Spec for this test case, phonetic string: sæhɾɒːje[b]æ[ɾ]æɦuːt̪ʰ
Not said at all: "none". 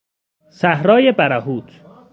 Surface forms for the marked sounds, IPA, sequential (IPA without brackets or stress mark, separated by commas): b, ɾ